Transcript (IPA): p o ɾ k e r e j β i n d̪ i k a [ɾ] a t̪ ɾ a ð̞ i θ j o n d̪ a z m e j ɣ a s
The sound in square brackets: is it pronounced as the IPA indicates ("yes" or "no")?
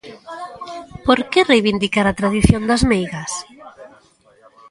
yes